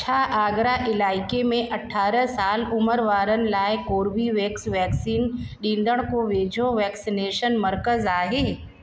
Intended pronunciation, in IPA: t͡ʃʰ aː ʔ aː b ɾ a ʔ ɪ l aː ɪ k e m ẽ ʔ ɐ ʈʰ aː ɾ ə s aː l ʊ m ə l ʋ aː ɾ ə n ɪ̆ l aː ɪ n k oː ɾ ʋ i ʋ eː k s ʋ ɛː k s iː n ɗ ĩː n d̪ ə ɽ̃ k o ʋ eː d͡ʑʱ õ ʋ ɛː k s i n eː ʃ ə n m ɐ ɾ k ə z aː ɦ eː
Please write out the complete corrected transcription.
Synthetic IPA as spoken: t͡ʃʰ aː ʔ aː ɡ ɾ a ʔ ɪ l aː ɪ k e m ẽ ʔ ɐ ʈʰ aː ɾ ə s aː l ʊ m ə ɾ ʋ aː ɾ ə n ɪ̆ l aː ɪ k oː ɾ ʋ i ʋ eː k s ʋ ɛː k s iː n ɗ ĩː n d̪ ə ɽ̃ k o ʋ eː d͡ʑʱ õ ʋ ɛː k s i n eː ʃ ə n m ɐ ɾ k ə z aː ɦ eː